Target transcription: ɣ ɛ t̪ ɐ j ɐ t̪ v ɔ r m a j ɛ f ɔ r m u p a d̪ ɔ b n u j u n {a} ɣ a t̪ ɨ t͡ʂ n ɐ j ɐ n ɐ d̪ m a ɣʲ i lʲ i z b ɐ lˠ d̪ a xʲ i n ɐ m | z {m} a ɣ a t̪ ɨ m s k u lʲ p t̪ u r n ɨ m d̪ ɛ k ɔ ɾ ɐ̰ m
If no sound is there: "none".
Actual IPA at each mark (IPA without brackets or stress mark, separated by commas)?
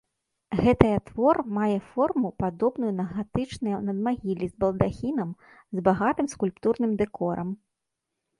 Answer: ɐ, b